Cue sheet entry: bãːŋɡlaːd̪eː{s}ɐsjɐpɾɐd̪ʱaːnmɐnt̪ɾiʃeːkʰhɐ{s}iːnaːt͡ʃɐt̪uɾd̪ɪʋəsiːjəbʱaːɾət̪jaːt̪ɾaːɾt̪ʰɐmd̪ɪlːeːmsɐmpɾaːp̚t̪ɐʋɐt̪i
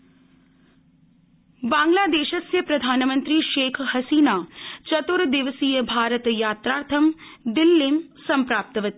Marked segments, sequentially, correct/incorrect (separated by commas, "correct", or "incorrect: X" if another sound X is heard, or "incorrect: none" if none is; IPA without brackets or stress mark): incorrect: ʃ, correct